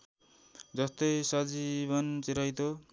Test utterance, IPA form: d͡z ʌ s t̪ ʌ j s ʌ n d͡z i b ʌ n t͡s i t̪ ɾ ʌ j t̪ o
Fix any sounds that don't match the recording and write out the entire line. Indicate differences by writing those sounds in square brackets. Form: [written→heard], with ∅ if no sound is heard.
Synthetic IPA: d͡z ʌ s t̪ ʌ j s ʌ [n→∅] d͡z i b ʌ n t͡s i [t̪→∅] ɾ ʌ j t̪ o